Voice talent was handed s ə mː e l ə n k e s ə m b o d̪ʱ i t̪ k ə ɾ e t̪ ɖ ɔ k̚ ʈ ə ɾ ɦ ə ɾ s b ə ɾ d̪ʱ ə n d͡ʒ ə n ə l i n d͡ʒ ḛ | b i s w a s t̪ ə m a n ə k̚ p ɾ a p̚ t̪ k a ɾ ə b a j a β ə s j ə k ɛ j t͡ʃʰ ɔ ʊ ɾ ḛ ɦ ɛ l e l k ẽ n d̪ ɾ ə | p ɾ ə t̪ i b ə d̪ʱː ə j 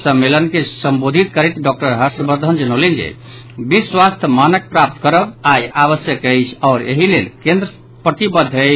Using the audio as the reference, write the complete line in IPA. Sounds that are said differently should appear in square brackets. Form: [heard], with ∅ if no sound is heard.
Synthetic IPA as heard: s ə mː e l ə n k e s ə m b o d̪ʱ i t̪ k ə ɾ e t̪ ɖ ɔ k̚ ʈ ə ɾ ɦ ə ɾ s b ə ɾ d̪ʱ ə n d͡ʒ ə n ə l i n d͡ʒ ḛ | b i s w a s [t̪ʰ] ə m a n ə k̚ p ɾ a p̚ t̪ k [ə] ɾ ə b a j a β ə s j ə k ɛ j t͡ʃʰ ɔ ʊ ɾ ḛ ɦ [i] l e l k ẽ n d̪ ɾ ə | p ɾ ə t̪ i b ə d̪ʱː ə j